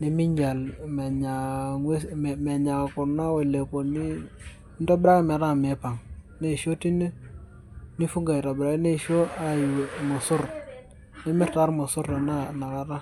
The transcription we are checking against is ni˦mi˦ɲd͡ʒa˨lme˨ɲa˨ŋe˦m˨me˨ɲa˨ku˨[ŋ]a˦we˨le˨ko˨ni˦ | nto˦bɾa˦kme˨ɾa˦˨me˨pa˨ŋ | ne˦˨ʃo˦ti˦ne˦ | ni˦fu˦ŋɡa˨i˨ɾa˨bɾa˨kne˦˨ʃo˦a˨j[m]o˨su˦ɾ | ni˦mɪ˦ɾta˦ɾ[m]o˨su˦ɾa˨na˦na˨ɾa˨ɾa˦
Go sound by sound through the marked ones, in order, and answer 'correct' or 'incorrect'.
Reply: incorrect: n, correct, correct

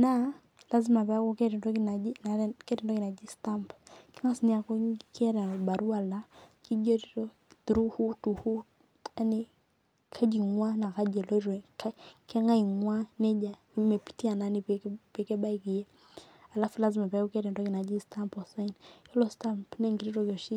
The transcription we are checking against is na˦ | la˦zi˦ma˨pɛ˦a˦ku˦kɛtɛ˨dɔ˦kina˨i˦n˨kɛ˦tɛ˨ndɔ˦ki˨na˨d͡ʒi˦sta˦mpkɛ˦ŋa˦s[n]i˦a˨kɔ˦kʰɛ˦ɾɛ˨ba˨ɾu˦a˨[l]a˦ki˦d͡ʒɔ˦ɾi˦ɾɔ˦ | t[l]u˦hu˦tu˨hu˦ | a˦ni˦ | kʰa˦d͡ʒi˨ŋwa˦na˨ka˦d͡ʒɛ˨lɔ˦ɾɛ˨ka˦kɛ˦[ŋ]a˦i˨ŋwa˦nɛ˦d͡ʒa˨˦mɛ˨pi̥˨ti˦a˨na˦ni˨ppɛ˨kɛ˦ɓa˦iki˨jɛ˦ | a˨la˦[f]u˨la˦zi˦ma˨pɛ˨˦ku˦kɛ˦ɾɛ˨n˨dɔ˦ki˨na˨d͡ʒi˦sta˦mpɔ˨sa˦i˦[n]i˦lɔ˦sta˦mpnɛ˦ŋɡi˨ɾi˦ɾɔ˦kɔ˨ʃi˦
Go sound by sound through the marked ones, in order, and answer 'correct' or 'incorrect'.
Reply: correct, correct, incorrect: ɾ, correct, correct, correct

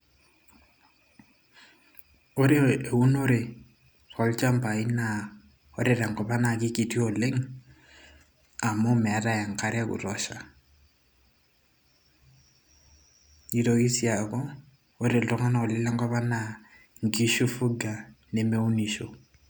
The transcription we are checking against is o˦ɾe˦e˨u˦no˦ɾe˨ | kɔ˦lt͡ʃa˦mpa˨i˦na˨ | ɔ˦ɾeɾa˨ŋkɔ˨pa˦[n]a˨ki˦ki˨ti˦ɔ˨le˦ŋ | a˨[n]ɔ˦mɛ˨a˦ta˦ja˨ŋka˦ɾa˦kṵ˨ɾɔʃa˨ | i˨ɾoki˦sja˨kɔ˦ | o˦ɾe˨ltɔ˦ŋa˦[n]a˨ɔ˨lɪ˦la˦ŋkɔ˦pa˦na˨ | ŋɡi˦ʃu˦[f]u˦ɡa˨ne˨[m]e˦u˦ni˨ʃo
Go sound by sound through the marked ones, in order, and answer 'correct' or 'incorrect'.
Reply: correct, incorrect: m, correct, correct, correct

